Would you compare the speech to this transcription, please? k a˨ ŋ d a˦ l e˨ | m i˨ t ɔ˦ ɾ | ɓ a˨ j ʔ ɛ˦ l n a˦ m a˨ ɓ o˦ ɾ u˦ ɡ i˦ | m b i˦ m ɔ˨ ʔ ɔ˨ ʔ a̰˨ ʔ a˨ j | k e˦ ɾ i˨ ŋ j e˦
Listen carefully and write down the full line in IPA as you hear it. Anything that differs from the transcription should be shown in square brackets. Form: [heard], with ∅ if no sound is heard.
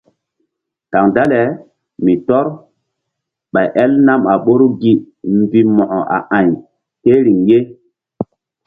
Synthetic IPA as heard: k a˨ ŋ d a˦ l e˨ | m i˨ t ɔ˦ ɾ | ɓ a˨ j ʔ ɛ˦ l n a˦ m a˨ ɓ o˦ ɾ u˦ ɡ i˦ | m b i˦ m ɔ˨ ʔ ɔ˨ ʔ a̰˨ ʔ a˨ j | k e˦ ɾ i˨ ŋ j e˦